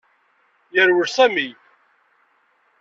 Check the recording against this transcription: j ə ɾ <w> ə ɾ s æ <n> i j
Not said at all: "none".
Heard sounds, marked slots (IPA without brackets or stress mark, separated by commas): w, m